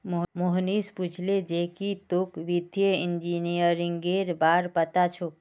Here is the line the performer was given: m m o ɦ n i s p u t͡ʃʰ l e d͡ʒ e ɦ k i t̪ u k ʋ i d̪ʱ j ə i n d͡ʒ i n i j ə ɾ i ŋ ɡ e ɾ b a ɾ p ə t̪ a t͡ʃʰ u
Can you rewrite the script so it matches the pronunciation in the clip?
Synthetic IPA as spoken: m m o ɦ n i s p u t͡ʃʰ l e d͡ʒ e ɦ k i t̪ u k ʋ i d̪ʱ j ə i n d͡ʒ i n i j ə ɾ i ŋ ɡ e ɾ b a ɾ p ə t̪ a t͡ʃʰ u